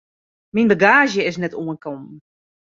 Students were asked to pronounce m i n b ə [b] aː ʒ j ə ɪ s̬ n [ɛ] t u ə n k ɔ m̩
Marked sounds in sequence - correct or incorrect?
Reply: incorrect, correct

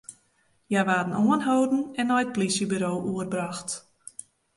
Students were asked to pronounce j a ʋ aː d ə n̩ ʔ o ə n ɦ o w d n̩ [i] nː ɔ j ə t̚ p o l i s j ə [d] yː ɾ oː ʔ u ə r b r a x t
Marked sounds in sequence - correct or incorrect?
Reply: incorrect, incorrect

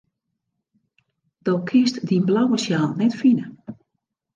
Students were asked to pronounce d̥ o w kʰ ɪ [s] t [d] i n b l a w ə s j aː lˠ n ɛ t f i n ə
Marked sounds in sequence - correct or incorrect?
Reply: correct, correct

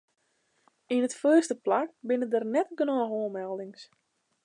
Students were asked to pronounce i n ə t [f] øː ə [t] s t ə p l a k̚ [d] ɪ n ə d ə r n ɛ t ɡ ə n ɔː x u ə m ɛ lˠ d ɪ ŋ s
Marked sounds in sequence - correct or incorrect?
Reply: correct, incorrect, incorrect

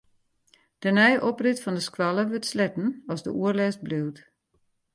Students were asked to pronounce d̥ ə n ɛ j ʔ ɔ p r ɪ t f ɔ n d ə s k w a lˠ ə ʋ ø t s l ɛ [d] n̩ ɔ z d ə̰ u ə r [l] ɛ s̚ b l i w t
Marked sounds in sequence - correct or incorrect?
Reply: incorrect, correct

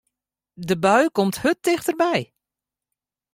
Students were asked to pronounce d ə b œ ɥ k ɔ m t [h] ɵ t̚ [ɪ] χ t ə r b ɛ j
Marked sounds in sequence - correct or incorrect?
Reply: correct, correct

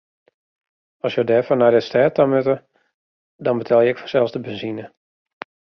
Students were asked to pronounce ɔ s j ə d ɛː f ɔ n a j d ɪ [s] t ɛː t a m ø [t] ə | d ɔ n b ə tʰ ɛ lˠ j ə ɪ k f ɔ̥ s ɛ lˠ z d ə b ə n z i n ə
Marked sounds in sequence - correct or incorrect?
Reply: correct, correct

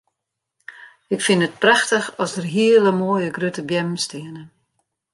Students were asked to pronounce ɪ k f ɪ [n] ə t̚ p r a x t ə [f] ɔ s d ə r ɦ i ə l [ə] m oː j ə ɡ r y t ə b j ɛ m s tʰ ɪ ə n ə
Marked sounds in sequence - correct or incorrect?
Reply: correct, incorrect, correct

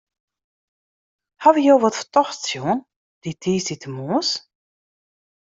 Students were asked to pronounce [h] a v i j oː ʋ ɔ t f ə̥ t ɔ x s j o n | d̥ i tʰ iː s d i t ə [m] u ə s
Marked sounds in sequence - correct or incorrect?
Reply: correct, correct

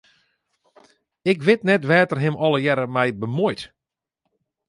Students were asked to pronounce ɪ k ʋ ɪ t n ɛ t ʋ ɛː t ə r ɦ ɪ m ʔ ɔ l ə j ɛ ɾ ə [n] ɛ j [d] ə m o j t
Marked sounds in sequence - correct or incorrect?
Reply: incorrect, incorrect

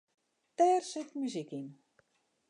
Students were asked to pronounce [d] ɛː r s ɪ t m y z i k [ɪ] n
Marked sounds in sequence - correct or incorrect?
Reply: incorrect, incorrect

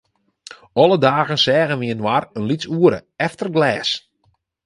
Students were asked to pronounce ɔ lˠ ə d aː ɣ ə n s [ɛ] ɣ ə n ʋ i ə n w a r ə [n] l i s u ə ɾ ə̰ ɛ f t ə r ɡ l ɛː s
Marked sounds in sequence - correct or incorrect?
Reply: incorrect, correct

